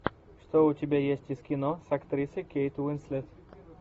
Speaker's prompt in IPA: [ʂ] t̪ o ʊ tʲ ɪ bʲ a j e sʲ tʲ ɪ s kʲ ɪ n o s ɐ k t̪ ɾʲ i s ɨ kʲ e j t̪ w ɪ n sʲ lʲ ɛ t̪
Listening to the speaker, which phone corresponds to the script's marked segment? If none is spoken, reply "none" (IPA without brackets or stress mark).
ʂ